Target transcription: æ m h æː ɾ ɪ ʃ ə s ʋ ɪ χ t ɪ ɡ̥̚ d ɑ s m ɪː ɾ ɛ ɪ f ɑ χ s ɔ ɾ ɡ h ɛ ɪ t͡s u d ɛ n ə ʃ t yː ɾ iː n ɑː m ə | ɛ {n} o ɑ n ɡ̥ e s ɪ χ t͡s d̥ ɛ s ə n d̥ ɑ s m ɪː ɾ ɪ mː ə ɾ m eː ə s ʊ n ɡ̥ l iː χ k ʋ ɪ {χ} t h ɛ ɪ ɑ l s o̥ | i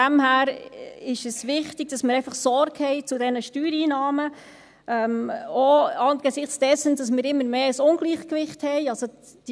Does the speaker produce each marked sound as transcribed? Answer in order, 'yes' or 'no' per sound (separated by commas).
no, yes